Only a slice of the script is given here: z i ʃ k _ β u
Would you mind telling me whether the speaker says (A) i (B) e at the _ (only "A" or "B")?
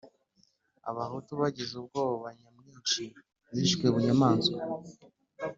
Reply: B